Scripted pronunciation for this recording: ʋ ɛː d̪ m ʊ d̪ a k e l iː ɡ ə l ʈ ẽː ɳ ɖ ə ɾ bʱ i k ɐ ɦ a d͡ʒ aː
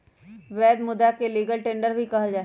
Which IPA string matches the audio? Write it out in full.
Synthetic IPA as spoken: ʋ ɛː d̪ m ʊ d̪ a k e l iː ɡ ə l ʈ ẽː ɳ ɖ ə ɾ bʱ i k ɐ ɦ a d͡ʒ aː